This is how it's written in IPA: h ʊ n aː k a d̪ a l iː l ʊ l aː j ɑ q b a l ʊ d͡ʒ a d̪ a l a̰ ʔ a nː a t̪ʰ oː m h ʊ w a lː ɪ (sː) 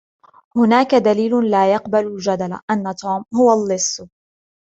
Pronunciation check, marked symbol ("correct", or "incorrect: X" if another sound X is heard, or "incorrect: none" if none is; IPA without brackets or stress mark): correct